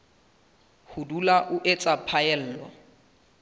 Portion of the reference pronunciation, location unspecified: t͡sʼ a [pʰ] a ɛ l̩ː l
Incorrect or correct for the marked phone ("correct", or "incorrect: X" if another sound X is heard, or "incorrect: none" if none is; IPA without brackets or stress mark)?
correct